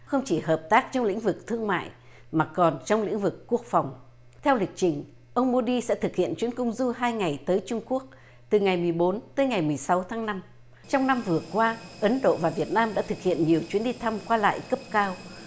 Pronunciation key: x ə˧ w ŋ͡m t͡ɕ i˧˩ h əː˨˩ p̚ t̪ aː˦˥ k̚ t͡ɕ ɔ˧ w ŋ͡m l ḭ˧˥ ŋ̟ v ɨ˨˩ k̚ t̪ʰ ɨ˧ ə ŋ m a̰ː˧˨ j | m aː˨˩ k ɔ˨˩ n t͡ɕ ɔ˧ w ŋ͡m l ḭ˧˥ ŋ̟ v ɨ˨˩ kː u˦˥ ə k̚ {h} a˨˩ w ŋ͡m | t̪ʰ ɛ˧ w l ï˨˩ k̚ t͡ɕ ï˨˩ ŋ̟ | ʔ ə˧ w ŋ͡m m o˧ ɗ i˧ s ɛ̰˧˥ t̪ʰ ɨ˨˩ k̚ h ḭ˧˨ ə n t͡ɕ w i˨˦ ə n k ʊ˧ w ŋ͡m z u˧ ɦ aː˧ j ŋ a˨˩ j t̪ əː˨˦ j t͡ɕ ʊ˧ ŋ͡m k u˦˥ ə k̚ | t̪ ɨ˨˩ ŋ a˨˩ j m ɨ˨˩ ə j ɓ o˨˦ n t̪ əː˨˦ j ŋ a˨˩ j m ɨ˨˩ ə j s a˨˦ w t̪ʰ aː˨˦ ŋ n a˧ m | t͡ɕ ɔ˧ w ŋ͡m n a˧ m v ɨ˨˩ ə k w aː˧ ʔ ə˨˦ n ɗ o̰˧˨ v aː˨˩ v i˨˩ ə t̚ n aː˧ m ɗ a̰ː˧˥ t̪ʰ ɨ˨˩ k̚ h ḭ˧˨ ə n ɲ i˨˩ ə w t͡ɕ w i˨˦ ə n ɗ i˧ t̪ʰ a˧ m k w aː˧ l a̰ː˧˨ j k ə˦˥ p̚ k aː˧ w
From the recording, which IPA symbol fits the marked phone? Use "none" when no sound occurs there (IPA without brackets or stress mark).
f